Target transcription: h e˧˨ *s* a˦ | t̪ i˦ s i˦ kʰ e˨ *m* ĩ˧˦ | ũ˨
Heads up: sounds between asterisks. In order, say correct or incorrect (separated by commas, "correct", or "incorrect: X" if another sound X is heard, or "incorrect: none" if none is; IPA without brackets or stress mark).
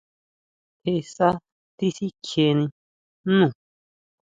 correct, incorrect: n